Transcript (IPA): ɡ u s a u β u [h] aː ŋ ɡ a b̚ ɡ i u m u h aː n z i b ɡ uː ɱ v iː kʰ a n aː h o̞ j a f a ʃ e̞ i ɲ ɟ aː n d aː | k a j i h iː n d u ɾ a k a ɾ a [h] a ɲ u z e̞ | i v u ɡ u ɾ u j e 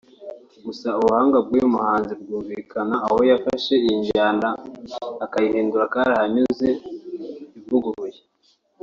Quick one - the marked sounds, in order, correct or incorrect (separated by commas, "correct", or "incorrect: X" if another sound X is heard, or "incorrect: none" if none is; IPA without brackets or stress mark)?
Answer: correct, correct